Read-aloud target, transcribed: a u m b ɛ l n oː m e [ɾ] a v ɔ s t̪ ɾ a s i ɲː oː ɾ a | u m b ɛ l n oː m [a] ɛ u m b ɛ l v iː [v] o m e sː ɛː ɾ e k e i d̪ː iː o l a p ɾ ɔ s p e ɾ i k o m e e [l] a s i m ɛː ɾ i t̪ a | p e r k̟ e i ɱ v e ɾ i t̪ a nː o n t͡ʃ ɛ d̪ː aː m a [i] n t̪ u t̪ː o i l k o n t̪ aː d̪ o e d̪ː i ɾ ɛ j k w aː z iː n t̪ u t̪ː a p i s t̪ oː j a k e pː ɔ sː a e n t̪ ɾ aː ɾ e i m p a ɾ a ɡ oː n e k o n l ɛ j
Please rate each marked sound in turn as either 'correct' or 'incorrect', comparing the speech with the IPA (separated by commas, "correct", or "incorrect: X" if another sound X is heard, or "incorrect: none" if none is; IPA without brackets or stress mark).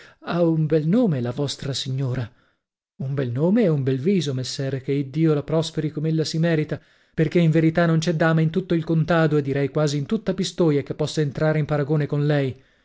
incorrect: l, incorrect: e, incorrect: z, incorrect: lː, correct